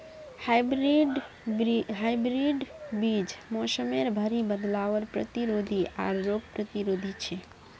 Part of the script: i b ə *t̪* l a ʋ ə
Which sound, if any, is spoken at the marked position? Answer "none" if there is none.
d̪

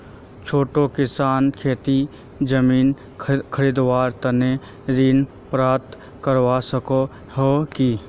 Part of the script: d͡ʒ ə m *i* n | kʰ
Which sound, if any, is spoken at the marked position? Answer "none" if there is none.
iː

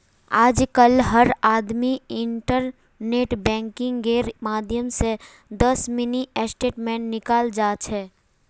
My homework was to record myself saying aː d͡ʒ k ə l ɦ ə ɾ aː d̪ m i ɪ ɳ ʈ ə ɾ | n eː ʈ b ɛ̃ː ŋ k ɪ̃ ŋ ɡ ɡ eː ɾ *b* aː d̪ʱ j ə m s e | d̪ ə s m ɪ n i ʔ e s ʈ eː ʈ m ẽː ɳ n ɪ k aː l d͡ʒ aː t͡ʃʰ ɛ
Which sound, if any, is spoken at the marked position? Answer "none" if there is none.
m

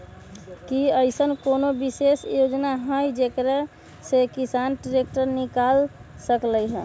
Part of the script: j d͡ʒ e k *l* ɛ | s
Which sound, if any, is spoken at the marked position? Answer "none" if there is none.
ɾ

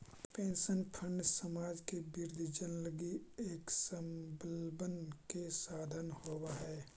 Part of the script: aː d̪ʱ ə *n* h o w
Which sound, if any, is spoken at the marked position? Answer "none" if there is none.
n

